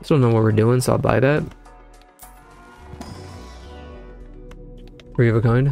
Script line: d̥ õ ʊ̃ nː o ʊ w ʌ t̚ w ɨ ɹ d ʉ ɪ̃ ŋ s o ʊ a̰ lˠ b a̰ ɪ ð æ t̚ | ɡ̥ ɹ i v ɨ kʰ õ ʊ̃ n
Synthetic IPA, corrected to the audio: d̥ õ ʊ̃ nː o ʊ w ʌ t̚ w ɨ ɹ d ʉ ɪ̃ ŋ s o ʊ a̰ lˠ b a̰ ɪ ð æ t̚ | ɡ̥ ɹ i v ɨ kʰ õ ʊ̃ n